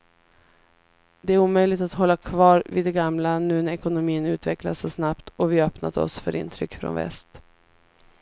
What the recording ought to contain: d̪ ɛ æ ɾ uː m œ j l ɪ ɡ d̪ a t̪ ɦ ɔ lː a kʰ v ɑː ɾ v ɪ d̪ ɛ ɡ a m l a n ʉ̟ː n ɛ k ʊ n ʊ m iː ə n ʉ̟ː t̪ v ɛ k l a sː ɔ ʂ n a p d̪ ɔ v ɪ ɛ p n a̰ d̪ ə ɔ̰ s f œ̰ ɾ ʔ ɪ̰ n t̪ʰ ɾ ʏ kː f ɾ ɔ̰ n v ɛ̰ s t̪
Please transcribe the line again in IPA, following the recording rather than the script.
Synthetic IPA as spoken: d̪ ɛ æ ɾ uː m œ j l ɪ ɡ t̪ a t̪ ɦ ɔ lː a kʰ v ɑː ɾ v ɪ d̪ ɛ ɡ a m l a n ʉ̟ː n ɛ k ʊ n ʊ m iː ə n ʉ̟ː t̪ v ɛ k l a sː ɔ s n a p t̪ ɔ v ɪ œ p n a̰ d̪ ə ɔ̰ s f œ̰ ɾ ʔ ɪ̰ n t̪ʰ ɾ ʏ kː f ɾ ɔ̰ n v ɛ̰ s t̪